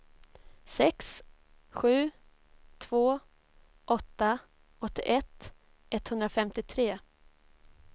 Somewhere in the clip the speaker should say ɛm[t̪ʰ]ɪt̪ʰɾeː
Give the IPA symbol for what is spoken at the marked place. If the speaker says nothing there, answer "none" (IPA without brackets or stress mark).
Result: t̪